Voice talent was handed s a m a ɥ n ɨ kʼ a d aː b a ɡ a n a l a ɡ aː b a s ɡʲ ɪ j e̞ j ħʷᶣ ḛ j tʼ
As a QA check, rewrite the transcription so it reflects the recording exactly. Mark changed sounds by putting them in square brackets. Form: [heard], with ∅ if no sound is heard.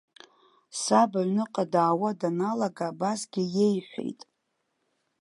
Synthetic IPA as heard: s a [b] a ɥ n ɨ [qʼ] a d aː [w] a [d] a n a l a ɡ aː b a s ɡʲ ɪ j e̞ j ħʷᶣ ḛ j tʼ